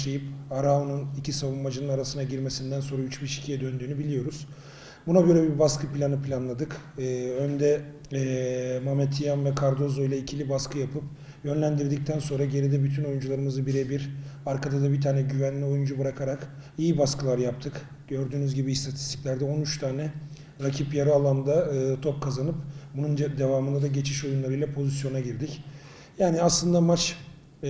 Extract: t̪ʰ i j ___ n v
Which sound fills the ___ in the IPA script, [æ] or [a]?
a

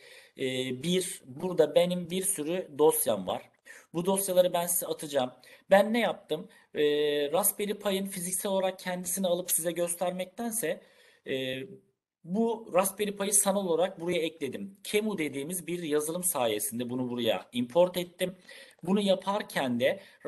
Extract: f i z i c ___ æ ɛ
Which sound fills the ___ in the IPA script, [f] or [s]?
s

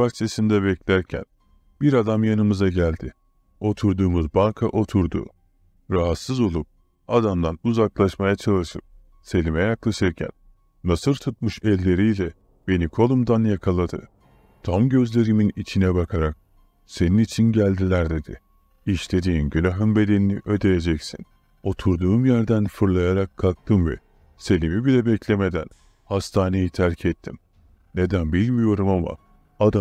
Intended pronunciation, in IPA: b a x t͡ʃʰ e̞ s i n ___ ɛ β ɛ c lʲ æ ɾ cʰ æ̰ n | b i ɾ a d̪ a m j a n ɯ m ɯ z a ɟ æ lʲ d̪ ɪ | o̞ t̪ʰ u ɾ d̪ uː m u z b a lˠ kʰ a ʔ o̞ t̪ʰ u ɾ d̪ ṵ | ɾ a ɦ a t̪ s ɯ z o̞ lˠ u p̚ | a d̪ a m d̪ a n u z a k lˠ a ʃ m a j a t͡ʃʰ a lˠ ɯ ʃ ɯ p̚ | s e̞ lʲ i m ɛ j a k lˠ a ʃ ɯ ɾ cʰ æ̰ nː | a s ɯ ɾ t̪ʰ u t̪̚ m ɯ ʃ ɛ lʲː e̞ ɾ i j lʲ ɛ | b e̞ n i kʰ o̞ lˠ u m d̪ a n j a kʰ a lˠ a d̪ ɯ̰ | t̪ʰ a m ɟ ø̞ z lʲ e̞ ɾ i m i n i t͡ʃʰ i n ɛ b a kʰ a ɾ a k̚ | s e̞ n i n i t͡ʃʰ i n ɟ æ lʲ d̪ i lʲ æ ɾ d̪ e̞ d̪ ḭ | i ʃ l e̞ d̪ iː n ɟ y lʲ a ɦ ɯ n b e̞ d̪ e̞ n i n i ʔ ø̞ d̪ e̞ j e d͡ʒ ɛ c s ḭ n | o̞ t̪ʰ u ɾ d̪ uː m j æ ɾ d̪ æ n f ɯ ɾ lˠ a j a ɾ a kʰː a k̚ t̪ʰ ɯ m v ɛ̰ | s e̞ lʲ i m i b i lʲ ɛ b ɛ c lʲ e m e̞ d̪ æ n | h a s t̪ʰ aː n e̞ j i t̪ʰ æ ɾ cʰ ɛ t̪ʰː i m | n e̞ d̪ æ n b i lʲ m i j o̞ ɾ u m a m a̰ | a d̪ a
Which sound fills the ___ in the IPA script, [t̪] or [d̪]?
d̪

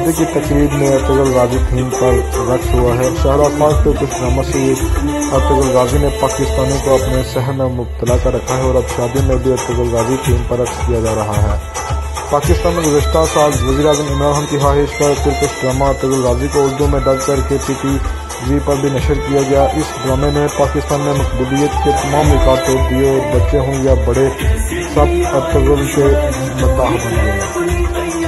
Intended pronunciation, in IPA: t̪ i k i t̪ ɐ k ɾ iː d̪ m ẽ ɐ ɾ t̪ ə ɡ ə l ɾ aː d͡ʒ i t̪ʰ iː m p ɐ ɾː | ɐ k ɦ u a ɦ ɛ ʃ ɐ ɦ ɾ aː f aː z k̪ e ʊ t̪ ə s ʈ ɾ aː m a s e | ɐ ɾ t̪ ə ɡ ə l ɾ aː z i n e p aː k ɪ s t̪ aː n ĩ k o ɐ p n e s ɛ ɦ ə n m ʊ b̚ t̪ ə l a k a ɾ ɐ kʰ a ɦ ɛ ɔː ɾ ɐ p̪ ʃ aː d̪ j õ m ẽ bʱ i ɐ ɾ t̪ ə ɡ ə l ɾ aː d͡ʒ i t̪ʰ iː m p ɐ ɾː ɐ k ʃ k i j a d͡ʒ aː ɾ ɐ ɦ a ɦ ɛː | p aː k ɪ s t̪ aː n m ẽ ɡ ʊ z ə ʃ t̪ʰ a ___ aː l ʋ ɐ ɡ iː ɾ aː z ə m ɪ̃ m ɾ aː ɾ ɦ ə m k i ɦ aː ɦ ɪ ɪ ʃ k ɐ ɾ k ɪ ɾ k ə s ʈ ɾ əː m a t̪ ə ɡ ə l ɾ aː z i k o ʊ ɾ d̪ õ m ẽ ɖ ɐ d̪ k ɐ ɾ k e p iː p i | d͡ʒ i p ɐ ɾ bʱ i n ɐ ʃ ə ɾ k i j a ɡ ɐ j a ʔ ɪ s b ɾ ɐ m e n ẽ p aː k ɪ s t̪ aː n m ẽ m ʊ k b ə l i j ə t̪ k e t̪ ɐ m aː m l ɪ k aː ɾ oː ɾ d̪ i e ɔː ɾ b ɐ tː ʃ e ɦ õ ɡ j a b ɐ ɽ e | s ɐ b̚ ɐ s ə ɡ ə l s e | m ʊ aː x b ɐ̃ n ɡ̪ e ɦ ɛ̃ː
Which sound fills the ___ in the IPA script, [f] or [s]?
s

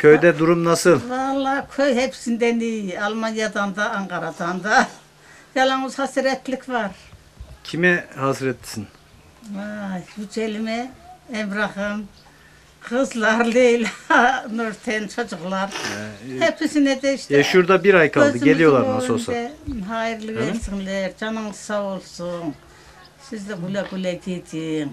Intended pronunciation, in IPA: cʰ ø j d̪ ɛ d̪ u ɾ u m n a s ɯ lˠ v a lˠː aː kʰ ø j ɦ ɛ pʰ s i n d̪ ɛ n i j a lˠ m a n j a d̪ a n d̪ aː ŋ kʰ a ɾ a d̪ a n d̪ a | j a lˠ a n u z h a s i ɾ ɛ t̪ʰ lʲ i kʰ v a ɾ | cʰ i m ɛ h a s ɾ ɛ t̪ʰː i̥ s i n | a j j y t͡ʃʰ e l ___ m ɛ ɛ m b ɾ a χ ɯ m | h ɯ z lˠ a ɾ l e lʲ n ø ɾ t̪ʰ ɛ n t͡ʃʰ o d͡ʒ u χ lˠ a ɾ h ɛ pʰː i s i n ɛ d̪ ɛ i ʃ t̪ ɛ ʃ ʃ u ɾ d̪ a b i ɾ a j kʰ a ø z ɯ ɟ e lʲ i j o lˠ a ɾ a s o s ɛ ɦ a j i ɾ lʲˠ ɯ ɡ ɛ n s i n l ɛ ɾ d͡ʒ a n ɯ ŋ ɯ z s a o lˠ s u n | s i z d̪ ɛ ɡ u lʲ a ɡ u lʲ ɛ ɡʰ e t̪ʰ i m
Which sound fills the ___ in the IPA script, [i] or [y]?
i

